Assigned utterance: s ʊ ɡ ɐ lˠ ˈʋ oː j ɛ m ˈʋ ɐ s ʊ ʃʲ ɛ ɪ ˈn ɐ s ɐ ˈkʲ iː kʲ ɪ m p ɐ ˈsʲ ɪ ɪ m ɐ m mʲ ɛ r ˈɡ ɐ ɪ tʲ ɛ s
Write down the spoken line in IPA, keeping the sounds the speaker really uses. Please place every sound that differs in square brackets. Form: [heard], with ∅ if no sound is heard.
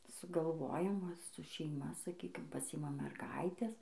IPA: s ʊ ɡ ɐ lˠ ˈʋ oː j ɛ m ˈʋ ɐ s ʊ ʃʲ ɛ ɪ [ˈm] ɐ s ɐ ˈkʲ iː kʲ ɪ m p ɐ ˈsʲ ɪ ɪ m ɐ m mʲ ɛ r ˈɡ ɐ ɪ tʲ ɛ s